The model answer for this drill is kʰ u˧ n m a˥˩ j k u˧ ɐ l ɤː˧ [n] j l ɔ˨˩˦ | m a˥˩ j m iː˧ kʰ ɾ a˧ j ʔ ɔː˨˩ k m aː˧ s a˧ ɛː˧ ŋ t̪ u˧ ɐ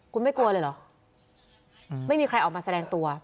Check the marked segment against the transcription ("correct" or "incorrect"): incorrect